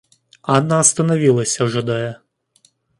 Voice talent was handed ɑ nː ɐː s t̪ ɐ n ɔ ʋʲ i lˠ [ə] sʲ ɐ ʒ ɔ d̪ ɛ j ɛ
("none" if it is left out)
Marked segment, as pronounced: ɐ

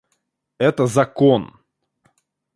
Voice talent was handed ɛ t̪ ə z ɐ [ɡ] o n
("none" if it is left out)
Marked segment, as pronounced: k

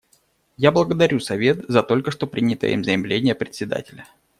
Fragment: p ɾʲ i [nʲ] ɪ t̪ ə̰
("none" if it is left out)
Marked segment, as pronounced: nʲ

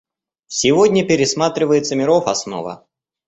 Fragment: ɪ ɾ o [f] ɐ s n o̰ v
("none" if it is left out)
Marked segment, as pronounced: f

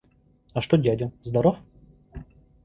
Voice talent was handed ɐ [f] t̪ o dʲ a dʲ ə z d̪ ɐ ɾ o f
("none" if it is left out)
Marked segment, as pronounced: ʂ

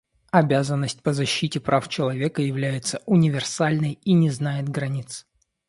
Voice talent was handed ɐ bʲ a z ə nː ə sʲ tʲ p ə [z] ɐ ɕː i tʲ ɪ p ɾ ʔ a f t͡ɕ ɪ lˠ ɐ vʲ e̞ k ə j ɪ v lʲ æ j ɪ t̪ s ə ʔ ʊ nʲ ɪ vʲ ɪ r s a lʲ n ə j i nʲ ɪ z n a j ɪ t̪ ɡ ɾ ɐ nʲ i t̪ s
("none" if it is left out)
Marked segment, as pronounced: z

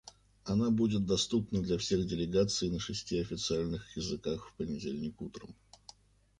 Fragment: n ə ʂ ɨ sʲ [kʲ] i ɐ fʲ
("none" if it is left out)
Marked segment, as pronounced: tʲ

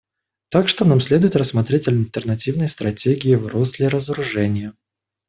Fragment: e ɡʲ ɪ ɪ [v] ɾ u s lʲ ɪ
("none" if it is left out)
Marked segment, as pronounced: v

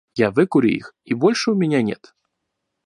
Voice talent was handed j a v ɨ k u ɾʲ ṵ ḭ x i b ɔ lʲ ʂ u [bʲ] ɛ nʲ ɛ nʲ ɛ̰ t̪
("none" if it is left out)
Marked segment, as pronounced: mʲ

